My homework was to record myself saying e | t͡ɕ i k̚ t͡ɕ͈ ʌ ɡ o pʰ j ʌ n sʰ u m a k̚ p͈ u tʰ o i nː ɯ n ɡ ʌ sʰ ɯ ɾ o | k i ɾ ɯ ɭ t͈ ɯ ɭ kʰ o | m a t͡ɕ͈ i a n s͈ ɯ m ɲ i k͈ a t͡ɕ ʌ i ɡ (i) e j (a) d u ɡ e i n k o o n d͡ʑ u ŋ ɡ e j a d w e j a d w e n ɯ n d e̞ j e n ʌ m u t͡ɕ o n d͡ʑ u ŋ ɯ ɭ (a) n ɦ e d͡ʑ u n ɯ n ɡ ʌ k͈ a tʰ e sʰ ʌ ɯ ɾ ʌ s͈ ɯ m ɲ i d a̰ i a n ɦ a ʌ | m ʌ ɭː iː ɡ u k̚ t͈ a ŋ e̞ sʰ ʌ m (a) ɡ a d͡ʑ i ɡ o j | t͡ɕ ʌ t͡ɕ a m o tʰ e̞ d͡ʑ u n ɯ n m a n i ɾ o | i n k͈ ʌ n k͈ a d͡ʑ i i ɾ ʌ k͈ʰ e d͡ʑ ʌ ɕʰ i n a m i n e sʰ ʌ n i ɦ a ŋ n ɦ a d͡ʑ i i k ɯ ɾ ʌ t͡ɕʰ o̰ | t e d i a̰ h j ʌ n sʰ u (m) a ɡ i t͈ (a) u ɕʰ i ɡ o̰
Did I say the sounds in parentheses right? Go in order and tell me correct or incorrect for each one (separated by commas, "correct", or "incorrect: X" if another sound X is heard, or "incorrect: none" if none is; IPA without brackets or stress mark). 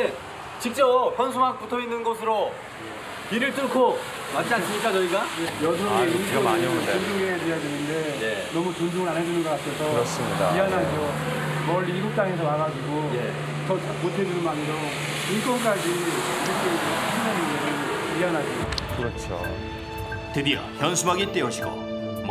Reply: incorrect: a, incorrect: ʌ, correct, correct, correct, incorrect: e